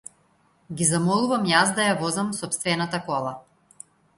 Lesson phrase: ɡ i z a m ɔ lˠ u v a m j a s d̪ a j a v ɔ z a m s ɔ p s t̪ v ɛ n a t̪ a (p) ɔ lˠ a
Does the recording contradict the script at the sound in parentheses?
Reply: yes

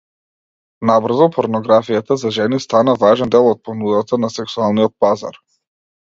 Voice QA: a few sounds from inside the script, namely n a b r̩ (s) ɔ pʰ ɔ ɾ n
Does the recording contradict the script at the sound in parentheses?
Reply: yes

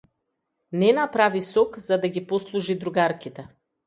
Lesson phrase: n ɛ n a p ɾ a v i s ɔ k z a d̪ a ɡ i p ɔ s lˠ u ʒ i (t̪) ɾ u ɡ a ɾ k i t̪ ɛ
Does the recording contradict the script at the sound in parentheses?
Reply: yes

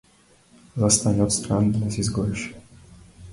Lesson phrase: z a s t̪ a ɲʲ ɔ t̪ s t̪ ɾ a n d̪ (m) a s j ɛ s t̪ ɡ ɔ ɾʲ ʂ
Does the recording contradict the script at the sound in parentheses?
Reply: yes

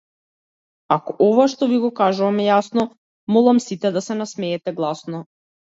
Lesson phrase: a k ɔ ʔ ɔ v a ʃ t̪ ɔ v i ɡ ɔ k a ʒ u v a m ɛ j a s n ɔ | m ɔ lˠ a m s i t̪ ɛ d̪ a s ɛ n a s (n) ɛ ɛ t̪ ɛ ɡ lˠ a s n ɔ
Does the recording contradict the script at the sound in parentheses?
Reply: yes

